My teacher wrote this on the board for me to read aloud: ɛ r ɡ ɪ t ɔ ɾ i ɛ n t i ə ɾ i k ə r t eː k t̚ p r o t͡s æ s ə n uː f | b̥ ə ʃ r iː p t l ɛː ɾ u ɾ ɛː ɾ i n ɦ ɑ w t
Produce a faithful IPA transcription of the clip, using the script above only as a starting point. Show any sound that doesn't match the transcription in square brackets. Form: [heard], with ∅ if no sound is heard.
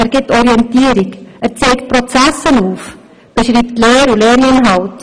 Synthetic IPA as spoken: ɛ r ɡ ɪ t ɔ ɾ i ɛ n t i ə ɾ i k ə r [t͡s] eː k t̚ p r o t͡s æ s ə n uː f | b̥ ə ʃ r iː p t l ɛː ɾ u [l] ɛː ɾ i n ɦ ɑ w t